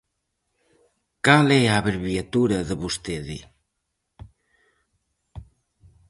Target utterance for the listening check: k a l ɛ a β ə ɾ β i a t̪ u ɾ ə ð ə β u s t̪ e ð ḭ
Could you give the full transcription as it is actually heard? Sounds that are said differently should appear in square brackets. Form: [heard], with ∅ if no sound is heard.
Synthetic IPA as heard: k a l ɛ a β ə ɾ β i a t̪ u ɾ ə ð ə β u s t̪ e ð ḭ